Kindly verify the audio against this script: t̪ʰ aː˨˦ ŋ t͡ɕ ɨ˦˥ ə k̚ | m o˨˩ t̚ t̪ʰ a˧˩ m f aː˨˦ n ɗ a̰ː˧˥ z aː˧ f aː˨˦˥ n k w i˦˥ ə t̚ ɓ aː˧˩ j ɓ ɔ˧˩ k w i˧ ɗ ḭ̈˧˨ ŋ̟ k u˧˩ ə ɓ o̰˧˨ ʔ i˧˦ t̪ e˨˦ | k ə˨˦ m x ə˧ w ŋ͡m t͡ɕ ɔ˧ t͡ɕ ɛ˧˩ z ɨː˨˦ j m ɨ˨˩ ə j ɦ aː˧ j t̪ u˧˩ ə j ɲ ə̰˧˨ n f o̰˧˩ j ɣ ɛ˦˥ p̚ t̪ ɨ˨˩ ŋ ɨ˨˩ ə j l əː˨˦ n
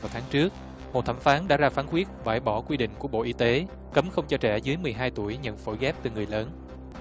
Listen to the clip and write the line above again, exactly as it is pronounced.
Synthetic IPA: t̪ʰ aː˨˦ ŋ t͡ɕ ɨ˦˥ ə k̚ | m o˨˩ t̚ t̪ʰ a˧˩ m f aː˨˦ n ɗ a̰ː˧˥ z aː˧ f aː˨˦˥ n k w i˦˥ ə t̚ ɓ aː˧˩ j ɓ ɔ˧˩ k w i˧ ɗ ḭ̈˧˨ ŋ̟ k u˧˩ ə ɓ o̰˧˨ ʔ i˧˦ t̪ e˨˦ | k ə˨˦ m x ə˧ w ŋ͡m t͡ɕ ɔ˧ t͡ɕ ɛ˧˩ z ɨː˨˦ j m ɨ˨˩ ə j ɦ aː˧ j t̪ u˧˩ ə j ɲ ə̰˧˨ n f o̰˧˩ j ɣ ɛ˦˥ p̚ t̪ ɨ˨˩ ŋ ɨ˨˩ ə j l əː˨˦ n